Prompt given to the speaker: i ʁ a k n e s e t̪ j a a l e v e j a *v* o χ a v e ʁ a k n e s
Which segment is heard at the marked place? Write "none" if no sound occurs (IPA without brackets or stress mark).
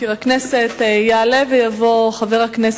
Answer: v